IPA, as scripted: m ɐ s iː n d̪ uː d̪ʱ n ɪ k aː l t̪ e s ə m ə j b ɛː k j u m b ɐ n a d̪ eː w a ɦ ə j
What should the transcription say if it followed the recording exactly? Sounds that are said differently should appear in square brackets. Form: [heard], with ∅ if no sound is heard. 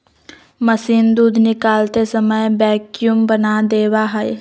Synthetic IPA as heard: m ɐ s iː n d̪ uː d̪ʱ n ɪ k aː l t̪ e s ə m ə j b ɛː k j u m b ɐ n a d̪ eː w a ɦ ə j